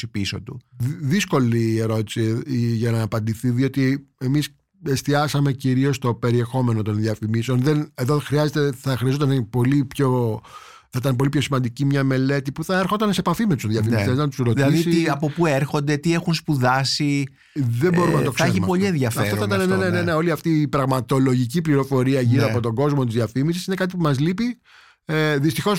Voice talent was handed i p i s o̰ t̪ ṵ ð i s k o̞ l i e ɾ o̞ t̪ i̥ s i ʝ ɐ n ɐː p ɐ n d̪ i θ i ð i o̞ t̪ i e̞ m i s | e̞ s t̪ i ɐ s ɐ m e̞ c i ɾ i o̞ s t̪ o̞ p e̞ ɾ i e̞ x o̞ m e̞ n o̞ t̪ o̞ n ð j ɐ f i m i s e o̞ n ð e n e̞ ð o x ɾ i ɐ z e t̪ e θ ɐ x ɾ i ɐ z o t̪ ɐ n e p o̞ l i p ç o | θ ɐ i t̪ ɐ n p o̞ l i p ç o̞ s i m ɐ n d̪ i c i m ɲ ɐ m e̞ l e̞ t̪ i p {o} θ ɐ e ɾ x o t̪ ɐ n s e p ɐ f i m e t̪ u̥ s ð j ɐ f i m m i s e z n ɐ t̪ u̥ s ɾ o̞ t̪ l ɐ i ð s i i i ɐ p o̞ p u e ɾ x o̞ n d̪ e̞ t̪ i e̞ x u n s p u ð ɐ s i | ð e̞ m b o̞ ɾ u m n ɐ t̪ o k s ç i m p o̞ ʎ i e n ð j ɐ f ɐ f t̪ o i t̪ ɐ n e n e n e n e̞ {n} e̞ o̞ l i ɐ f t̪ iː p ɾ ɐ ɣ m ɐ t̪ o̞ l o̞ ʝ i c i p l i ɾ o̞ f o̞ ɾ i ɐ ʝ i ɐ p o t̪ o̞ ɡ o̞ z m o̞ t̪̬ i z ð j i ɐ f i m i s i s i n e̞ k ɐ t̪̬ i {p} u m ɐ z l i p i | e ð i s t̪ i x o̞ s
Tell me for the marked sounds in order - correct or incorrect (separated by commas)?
incorrect, correct, correct